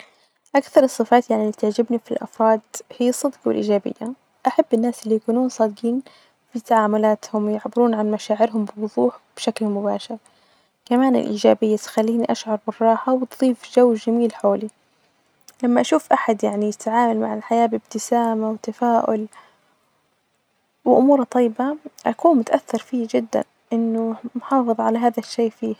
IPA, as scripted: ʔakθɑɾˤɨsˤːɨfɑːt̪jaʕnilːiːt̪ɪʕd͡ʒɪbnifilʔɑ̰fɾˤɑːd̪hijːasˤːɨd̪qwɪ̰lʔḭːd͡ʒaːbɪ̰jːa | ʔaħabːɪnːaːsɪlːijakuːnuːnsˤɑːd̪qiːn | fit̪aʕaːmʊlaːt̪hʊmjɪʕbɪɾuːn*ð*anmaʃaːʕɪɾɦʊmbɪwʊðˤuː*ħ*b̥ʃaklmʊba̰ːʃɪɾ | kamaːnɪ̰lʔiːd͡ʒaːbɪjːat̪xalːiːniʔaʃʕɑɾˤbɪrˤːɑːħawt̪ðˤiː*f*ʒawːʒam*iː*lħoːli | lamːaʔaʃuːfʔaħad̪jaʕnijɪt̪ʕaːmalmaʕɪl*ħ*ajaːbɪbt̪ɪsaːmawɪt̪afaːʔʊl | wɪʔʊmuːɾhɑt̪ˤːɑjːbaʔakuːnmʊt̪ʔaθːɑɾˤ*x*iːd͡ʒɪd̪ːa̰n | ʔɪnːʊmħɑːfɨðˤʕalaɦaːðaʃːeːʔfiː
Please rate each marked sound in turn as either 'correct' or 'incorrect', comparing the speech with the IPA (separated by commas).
incorrect, correct, correct, correct, correct, incorrect